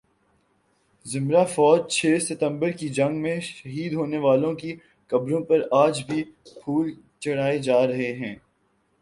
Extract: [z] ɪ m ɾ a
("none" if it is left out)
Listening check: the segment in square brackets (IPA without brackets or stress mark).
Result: z